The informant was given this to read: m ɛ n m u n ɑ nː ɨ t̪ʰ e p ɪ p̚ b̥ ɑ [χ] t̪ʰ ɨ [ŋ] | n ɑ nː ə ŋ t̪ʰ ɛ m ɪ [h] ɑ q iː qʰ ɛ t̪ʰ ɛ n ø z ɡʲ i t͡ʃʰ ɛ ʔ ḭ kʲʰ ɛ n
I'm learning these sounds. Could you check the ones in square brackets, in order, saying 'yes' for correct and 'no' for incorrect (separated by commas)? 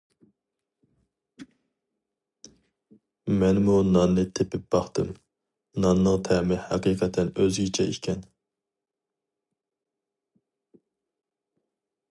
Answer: yes, no, yes